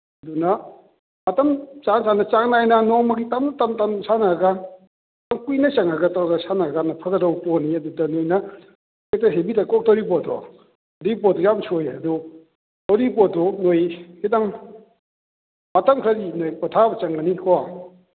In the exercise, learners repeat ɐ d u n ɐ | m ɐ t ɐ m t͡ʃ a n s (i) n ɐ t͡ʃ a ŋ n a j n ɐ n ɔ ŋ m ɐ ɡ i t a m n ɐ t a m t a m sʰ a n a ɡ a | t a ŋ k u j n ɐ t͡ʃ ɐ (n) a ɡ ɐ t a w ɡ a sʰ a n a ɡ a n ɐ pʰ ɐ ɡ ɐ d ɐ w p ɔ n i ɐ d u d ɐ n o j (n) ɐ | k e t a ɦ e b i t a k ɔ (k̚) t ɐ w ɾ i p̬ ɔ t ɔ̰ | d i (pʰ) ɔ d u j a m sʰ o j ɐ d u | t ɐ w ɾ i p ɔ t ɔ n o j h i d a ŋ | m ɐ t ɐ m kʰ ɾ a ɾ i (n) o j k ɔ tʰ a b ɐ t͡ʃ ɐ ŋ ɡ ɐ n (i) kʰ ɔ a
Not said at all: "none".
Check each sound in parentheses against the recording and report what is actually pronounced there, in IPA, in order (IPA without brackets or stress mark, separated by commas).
a, ŋ, n, k̚, p, n, i